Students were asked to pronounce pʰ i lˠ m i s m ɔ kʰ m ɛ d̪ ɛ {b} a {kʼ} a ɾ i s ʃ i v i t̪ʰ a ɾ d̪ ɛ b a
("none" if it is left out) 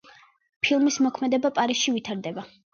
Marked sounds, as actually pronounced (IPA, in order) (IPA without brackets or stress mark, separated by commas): b, pʼ